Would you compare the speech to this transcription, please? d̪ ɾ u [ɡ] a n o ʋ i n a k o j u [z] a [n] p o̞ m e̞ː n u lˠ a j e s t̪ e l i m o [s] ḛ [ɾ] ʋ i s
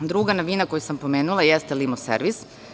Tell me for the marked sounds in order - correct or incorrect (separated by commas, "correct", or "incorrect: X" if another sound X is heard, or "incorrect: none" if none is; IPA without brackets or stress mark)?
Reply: correct, incorrect: s, incorrect: m, correct, correct